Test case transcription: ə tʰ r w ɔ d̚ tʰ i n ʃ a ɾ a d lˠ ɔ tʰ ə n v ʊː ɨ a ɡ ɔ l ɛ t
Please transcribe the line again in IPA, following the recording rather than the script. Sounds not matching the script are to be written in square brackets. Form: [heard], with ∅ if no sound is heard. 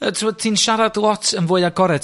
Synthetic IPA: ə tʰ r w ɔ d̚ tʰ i n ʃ a ɾ a d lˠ ɔ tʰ ə n v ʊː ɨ a ɡ ɔ [ɾ] ɛ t